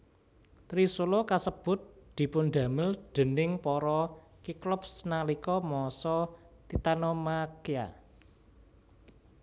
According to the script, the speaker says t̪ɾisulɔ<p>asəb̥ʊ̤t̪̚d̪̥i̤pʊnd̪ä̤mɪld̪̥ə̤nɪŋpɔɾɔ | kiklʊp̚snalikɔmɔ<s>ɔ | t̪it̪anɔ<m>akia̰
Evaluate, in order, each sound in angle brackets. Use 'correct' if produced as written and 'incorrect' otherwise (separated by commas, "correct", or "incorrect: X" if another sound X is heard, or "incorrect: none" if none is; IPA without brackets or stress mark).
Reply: incorrect: k, correct, correct